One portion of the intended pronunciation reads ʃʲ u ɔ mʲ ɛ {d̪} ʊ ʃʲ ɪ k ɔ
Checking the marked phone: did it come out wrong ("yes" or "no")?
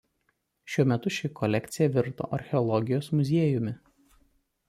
yes